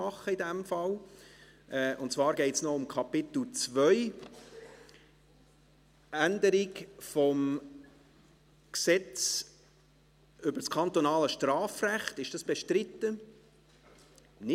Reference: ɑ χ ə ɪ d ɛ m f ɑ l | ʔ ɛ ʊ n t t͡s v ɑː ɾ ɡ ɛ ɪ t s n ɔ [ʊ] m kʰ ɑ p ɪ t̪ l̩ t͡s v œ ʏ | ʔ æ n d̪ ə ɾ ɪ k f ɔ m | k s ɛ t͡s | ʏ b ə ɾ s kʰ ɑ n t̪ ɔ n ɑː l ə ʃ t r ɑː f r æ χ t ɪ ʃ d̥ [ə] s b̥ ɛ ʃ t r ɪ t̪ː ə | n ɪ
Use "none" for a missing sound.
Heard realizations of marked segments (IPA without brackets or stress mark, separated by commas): ʊ, ɑ